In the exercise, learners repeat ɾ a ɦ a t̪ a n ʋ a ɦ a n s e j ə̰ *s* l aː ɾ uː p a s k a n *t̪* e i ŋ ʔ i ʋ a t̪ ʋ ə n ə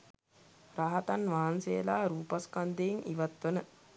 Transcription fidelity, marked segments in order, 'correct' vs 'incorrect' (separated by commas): incorrect, incorrect